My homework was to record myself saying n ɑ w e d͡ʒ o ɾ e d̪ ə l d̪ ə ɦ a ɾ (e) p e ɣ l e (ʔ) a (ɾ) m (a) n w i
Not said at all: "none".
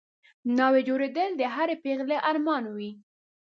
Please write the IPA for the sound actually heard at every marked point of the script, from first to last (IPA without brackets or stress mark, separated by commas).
e, ʔ, ɾ, ɑ